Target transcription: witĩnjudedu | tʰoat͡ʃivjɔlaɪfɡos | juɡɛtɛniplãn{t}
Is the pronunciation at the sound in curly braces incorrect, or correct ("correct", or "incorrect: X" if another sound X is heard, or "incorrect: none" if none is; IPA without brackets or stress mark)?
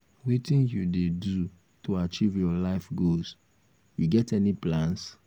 incorrect: s